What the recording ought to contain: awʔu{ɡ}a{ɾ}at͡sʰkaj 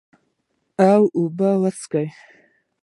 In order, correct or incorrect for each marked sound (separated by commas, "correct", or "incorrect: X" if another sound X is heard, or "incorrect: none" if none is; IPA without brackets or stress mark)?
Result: incorrect: b, incorrect: l